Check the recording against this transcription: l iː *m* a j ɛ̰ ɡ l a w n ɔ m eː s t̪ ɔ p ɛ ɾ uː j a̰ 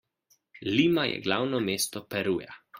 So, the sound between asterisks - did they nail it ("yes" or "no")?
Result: yes